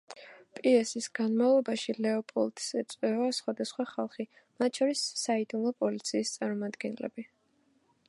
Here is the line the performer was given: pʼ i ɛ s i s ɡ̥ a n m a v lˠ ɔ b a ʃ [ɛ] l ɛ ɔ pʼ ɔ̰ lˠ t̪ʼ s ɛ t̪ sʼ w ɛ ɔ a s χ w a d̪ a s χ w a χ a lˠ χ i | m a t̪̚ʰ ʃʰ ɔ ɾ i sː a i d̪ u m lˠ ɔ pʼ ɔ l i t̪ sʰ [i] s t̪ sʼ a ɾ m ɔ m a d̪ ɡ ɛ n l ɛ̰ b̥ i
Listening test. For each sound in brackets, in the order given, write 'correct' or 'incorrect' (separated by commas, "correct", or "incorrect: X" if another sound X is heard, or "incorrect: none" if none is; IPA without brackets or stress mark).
incorrect: i, incorrect: iː